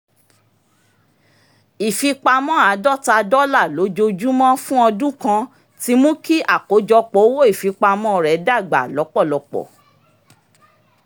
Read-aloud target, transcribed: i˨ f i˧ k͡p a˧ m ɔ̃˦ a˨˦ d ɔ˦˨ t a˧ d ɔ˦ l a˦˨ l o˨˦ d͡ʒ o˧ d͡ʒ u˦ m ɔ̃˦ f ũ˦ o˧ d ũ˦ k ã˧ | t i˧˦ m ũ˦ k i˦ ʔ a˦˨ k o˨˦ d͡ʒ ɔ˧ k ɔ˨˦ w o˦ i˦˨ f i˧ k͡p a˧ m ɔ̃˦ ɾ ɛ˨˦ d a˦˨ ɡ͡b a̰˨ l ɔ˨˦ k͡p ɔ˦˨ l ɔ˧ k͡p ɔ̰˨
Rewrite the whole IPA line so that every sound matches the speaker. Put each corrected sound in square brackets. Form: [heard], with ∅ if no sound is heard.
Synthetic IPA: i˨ f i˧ k͡p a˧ m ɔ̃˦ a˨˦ d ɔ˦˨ t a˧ d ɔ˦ l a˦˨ l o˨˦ d͡ʒ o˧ d͡ʒ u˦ m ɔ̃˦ f ũ˦ [ɔ˧] d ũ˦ k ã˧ | t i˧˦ m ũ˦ k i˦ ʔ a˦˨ k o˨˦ d͡ʒ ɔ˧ [k͡p] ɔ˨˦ w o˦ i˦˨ f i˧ k͡p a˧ m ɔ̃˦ ɾ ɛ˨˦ d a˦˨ ɡ͡b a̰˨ l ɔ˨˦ k͡p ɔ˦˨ l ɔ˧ k͡p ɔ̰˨